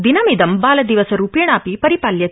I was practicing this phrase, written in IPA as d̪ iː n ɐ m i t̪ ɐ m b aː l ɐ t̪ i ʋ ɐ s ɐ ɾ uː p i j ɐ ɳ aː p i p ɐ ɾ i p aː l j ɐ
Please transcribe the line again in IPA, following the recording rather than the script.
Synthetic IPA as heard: d̪ i n ɐ m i d̪ ɐ m b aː l ɐ d̪ i ʋ ɐ s ɐ ɾ uː p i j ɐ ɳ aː p i p ɐ ɾ i p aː l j ɐ